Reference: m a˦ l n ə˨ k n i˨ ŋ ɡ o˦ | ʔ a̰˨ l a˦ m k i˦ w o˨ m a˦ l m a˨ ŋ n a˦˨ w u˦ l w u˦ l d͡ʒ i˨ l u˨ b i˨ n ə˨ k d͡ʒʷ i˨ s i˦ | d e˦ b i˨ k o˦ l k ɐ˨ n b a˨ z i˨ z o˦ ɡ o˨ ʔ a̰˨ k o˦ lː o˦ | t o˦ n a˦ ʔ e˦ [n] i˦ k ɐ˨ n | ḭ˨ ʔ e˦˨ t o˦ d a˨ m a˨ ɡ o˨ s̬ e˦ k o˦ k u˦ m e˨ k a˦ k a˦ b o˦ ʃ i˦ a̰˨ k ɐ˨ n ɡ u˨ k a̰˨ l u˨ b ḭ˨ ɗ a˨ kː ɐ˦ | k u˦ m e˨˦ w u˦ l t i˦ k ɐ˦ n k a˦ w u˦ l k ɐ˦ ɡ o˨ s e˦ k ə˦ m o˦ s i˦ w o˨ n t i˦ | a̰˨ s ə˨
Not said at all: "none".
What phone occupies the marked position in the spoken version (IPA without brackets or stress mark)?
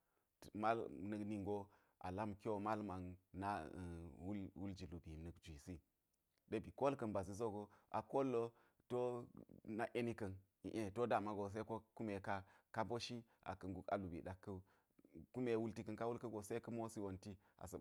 n